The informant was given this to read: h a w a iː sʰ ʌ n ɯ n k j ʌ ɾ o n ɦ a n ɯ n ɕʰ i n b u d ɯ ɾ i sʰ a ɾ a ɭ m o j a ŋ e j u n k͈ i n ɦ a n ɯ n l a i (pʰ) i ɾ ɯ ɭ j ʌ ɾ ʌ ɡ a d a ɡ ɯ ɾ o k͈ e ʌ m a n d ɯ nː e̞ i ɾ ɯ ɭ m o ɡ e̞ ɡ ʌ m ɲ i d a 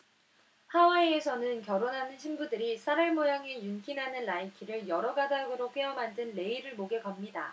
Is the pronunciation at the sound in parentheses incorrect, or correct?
incorrect